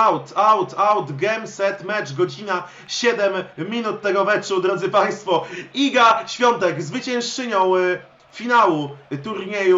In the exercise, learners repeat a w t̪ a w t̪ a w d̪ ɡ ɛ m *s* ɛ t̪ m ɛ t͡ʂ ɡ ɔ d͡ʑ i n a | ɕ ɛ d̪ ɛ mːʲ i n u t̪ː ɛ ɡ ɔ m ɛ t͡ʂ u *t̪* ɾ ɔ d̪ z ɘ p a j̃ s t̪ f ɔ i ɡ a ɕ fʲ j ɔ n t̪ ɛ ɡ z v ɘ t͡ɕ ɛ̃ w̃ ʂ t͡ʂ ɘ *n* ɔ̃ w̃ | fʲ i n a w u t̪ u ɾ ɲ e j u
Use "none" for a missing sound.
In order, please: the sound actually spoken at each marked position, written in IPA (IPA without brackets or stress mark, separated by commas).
s, d̪, ɲ